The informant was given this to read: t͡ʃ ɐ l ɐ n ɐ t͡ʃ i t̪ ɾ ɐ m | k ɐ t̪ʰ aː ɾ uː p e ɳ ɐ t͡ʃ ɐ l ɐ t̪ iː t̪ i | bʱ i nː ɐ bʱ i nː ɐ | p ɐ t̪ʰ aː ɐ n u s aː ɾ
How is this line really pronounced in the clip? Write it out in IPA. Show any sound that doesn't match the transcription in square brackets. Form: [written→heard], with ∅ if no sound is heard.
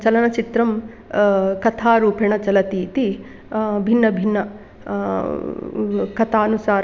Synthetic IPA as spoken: t͡ʃ ɐ l ɐ n ɐ t͡ʃ i t̪ ɾ ɐ m | k ɐ t̪ʰ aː ɾ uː p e ɳ ɐ t͡ʃ ɐ l ɐ t̪ iː t̪ i | bʱ i nː ɐ bʱ i nː ɐ | [p→k] ɐ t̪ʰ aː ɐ n u s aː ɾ

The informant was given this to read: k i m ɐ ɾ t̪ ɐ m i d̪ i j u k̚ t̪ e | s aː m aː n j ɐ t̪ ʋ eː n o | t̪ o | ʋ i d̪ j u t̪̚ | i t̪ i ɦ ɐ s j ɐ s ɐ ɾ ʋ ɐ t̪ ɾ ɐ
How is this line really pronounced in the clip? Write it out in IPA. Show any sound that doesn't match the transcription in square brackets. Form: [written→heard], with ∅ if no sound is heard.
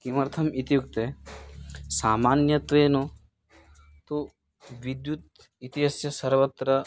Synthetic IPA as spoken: k i m ɐ ɾ [t̪→t̪ʰ] ɐ m i [d̪→t̪] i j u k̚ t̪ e | s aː m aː n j ɐ t̪ ʋ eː n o | t̪ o | ʋ i d̪ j u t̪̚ | i t̪ i ɦ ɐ s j ɐ s ɐ ɾ ʋ ɐ t̪ ɾ ɐ

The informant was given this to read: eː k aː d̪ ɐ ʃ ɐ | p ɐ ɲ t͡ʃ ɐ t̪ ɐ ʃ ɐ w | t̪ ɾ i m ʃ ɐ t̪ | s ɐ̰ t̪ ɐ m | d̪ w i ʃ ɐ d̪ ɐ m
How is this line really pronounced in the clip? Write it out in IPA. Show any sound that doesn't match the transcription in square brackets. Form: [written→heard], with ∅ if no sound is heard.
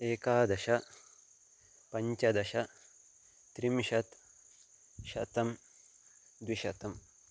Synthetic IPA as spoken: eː k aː d̪ ɐ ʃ ɐ | p ɐ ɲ t͡ʃ ɐ [t̪→d̪] ɐ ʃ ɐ [w→∅] | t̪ ɾ i m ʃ ɐ t̪ | [s→ʃ] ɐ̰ t̪ ɐ m | d̪ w i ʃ ɐ [d̪→t̪] ɐ m

